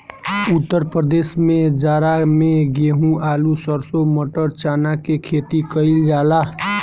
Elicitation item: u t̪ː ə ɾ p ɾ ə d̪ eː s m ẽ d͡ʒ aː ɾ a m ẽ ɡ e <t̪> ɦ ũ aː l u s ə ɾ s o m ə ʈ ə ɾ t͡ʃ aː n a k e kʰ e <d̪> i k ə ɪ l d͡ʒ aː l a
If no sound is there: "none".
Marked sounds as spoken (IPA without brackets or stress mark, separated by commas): none, t̪